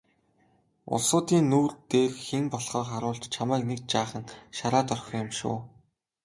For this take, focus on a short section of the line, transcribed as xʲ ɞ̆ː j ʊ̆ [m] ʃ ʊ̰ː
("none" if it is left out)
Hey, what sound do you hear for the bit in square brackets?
m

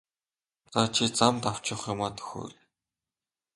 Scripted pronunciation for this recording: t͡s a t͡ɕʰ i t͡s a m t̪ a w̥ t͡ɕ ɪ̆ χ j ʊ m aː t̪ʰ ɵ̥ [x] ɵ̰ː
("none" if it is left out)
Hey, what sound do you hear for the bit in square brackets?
x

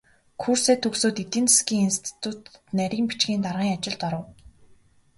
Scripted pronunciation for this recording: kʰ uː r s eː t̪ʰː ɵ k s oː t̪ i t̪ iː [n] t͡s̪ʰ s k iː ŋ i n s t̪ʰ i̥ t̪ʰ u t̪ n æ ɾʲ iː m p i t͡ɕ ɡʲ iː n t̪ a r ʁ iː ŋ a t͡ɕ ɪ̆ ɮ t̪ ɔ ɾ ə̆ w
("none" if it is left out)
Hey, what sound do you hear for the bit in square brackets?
n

